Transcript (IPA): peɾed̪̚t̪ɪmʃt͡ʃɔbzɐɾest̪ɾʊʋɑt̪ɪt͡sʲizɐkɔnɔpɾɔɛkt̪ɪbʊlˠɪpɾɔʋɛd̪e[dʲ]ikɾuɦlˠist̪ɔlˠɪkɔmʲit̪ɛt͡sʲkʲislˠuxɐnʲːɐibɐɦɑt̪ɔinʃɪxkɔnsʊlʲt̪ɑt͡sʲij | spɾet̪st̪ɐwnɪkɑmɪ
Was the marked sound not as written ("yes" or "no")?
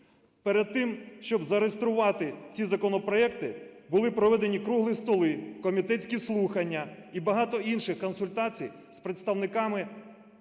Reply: yes